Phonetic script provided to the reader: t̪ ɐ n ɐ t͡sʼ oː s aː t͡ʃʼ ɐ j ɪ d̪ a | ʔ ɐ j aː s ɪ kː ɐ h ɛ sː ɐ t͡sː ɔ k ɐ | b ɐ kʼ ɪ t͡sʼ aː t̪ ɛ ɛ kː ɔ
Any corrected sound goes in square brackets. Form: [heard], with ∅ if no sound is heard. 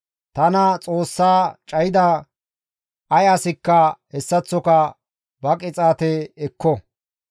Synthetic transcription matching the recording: t̪ ɐ n ɐ t͡sʼ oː [sː] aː t͡ʃʼ ɐ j ɪ d̪ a | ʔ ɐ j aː s ɪ kː ɐ h ɛ sː ɐ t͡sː ɔ k ɐ | b ɐ kʼ ɪ t͡sʼ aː t̪ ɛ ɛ kː ɔ